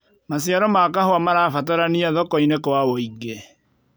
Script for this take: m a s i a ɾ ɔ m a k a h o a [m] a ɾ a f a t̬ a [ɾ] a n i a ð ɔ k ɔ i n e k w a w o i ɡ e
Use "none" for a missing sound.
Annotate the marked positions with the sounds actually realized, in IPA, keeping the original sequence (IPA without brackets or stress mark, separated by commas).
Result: m, ɾ